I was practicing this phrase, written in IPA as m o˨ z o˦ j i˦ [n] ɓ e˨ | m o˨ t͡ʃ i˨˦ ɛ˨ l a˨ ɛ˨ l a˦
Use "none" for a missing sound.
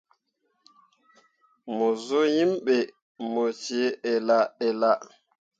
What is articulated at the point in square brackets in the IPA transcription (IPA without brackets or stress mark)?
m